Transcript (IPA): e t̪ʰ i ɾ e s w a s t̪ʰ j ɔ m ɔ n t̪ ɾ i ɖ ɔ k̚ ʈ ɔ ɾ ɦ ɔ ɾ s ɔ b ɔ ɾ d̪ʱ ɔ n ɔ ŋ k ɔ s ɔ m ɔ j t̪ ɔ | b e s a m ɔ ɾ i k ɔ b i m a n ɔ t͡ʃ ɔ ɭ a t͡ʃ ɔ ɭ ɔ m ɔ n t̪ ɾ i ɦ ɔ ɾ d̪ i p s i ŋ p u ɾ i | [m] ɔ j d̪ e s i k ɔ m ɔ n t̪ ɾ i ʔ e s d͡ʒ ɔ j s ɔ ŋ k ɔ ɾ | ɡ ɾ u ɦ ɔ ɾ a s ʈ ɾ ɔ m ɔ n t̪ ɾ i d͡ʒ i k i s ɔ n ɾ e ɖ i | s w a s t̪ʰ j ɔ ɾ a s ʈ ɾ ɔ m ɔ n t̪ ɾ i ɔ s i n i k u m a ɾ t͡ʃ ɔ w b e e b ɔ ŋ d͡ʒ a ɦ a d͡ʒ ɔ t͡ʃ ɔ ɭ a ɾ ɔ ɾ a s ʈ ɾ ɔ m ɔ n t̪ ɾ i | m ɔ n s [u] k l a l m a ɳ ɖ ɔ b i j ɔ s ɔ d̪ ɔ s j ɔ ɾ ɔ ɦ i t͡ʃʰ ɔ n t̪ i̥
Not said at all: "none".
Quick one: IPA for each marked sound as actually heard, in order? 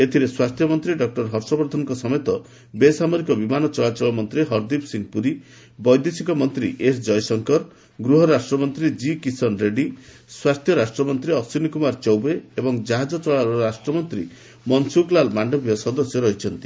b, u

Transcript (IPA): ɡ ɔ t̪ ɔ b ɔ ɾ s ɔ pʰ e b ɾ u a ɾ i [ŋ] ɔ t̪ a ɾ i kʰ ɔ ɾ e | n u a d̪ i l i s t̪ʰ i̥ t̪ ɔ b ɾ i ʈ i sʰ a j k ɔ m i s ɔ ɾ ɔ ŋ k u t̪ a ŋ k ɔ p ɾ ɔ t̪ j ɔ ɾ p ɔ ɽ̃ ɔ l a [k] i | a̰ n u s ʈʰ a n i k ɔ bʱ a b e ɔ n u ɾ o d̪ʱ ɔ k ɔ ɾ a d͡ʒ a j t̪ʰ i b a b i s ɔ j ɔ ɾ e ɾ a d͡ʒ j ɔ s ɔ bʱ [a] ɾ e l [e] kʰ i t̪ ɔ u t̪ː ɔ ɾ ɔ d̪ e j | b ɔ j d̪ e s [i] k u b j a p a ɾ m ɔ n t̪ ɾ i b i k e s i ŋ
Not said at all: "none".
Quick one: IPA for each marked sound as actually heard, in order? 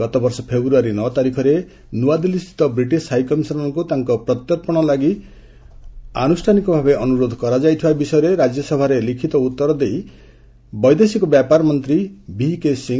n, ɡ, a, i, i

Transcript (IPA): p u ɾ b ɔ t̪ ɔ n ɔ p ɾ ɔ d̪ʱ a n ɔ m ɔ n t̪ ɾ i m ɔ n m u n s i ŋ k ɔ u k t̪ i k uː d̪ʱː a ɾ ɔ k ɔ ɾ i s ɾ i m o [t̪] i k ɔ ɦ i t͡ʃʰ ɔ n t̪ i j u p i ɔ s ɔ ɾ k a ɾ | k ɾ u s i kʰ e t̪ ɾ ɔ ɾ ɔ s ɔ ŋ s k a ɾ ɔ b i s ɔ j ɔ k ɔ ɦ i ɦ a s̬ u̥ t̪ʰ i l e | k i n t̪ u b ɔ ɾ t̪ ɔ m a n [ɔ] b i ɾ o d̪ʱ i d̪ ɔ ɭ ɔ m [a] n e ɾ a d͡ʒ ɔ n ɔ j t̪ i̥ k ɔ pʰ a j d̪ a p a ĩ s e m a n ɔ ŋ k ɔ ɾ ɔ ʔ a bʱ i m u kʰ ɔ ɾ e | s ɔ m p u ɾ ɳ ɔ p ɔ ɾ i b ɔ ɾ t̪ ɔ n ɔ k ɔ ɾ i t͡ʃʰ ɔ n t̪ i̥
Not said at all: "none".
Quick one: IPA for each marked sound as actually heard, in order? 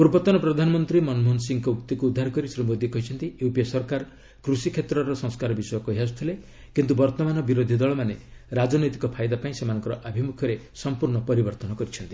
d̪, ɔ, a

